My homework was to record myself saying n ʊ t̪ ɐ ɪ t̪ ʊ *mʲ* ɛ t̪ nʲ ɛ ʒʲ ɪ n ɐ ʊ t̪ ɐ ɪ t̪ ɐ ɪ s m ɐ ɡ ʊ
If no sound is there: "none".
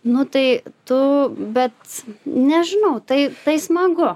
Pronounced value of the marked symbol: bʲ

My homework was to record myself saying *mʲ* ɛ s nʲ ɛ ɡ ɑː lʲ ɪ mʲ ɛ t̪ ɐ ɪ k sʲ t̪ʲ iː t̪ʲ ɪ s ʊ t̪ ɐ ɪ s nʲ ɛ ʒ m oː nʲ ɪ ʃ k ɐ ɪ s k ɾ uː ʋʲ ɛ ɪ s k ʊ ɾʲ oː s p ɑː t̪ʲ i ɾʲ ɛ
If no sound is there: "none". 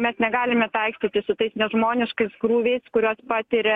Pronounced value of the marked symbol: mʲ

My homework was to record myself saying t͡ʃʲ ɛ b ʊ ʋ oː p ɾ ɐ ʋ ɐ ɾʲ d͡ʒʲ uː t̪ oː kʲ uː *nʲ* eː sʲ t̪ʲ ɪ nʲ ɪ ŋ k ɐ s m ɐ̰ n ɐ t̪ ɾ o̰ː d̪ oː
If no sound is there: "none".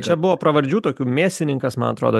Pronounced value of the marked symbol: mʲ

